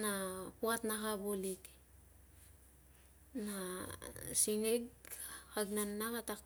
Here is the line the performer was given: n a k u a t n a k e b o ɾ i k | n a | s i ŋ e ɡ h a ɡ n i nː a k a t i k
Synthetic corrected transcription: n a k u a t n a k a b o l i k | n a | s i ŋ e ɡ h a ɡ n a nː a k a t a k

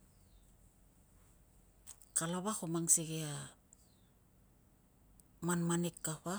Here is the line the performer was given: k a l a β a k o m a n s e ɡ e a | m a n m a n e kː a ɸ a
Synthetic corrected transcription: k a l a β a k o m a ŋ s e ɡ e a | m a n m a n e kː a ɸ a

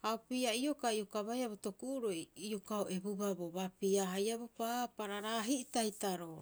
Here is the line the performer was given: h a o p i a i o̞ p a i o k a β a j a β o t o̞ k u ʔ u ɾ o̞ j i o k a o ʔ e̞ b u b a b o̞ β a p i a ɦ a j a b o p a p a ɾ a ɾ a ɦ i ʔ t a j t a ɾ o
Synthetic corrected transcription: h a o p i a i o̞ k a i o k a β a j a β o t o̞ k u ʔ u ɾ o̞ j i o k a o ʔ e̞ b u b a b o̞ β a p i a ɦ a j a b o p a p a ɾ a ɾ a ɦ i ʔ t a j t a ɾ o

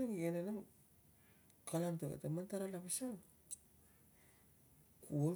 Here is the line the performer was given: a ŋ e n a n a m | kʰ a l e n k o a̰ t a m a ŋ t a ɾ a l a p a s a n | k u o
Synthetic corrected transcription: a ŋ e n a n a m | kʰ a l a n t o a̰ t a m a n t a ɾ a l a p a s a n | k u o

